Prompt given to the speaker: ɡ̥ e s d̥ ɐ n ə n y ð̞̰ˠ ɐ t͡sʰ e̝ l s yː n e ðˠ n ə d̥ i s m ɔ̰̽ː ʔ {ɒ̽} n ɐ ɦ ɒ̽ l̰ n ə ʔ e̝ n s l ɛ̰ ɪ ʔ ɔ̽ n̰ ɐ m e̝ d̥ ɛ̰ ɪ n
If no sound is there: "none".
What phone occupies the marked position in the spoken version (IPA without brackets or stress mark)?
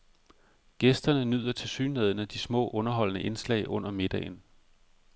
ɔ̽